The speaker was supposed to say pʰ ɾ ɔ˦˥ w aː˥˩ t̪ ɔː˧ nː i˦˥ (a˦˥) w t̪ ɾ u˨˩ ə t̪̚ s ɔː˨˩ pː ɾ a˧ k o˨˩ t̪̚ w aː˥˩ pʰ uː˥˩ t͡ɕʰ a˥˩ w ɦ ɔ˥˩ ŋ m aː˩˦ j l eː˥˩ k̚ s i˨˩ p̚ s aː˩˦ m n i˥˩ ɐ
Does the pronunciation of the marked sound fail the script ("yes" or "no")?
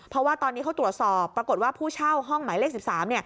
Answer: no